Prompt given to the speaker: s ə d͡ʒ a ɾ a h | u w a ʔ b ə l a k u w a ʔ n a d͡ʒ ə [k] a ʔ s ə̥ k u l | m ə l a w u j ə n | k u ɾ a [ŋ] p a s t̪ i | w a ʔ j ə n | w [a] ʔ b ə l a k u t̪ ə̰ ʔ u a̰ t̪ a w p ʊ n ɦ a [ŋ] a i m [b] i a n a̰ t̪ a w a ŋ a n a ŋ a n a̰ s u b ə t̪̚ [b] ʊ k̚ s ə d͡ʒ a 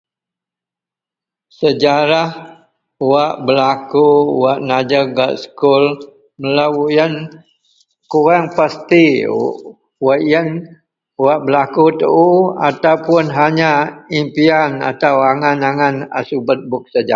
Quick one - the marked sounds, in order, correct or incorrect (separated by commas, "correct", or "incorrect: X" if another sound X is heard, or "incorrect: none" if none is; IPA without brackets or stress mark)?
incorrect: ɡ, correct, correct, incorrect: ɲ, incorrect: p, correct